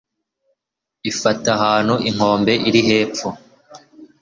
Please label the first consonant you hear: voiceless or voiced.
voiceless